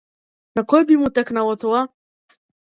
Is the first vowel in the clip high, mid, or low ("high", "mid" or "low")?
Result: low